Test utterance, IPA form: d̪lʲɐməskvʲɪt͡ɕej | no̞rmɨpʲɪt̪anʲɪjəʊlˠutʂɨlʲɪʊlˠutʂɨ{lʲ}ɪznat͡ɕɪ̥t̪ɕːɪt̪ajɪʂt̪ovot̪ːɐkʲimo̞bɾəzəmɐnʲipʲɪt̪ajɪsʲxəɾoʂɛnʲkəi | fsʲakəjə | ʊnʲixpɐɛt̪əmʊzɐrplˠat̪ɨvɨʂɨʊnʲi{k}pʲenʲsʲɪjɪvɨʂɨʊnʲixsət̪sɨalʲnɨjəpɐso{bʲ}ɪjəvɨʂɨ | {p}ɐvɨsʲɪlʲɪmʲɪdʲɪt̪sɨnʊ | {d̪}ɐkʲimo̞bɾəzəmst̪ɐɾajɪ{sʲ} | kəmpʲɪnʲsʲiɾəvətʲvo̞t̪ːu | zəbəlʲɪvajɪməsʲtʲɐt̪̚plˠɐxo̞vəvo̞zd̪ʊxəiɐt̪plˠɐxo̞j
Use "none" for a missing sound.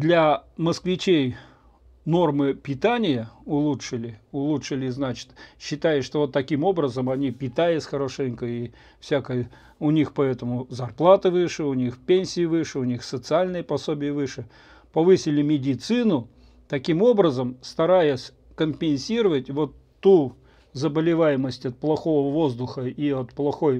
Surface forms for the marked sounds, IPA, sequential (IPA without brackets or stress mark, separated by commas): lʲ, x, bʲ, p, t̪, sʲ